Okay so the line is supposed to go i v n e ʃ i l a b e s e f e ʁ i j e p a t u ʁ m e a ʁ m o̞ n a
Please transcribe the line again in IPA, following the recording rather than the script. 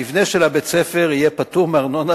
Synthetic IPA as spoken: i v n e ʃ e l a b e t͡s e f e ʁ i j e p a t u ʁ m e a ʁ n o̞ n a